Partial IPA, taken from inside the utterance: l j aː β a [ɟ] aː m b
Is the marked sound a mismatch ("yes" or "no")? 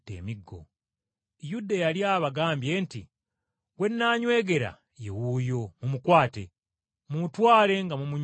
yes